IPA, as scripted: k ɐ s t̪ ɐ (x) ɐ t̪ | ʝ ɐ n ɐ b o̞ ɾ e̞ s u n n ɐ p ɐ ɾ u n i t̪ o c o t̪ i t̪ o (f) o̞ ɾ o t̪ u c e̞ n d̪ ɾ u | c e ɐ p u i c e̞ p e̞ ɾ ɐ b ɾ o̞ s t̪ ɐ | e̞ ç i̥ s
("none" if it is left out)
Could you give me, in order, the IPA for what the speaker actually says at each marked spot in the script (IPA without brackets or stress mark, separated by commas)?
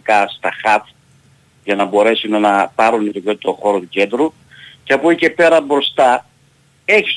x, x